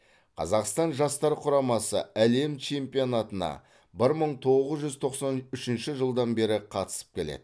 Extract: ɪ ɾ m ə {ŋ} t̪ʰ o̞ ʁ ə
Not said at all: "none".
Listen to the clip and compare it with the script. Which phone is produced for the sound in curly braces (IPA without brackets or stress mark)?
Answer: ɴ